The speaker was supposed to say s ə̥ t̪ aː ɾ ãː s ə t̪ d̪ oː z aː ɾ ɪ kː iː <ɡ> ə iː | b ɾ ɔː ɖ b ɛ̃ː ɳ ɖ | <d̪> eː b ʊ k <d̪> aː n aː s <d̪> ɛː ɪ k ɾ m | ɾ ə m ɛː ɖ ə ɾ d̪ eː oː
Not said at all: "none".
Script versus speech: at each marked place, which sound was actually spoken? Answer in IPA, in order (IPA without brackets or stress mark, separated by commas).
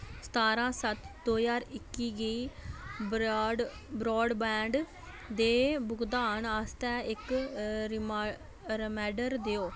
ɡ, d̪, d̪, t̪